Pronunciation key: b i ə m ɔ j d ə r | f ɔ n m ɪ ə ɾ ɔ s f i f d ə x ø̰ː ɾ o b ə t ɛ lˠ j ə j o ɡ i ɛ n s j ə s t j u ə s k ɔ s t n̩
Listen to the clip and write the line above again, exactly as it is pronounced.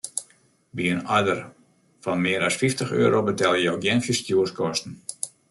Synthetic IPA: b i ə n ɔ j d ə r | f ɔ n m ɪ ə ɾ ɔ s f i f t ə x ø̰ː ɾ o b ə t ɛ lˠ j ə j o ɡ j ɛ n f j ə s t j u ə s k ɔ s t n̩